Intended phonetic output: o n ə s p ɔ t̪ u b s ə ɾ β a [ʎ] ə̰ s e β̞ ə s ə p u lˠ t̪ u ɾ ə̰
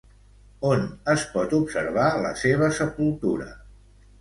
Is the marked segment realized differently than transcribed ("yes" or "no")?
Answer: yes